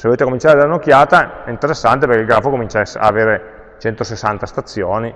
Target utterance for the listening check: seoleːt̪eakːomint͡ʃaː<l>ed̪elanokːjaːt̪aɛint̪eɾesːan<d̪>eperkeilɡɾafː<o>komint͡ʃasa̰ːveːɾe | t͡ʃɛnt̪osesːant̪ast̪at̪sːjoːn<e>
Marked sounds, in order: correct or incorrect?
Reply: incorrect: ɾ, incorrect: t̪, correct, incorrect: i

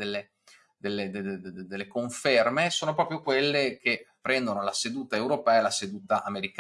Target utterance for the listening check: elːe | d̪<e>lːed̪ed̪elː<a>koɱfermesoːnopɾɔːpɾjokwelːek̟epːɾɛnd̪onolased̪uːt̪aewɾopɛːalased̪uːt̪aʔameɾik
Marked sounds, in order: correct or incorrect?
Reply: correct, incorrect: e

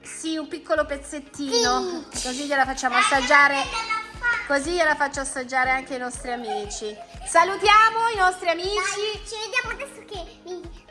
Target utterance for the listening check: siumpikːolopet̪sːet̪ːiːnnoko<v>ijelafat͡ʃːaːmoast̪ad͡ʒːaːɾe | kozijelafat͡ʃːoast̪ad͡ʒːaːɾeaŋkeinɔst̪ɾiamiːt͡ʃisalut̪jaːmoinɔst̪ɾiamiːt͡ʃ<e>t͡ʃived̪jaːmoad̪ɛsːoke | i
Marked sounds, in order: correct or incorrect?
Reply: incorrect: z, incorrect: i

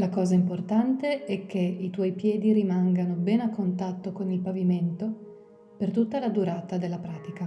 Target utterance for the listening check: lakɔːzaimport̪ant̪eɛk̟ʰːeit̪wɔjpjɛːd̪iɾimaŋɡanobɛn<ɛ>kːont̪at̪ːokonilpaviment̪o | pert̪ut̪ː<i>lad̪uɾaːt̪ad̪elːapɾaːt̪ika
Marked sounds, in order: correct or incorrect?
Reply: incorrect: a, incorrect: a

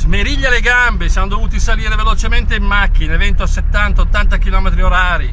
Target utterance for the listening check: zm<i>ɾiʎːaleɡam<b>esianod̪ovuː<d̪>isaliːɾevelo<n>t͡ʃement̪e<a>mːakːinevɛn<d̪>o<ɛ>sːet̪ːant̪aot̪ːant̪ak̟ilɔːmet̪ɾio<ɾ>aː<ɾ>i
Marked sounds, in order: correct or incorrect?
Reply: incorrect: e, correct, incorrect: t̪, incorrect: none, incorrect: i, incorrect: t̪, incorrect: a, correct, correct

